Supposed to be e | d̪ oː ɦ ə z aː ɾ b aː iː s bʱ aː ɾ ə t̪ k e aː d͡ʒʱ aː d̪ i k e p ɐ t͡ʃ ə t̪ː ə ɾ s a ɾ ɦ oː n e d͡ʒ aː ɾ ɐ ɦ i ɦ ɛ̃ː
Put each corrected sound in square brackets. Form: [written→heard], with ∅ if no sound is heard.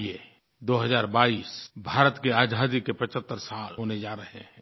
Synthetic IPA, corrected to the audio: e | d̪ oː ɦ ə z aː ɾ b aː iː s bʱ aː ɾ ə t̪ k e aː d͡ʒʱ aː d̪ i k e p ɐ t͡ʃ ə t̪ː ə ɾ s a [ɾ→l] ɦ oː n e d͡ʒ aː ɾ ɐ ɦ [i→e] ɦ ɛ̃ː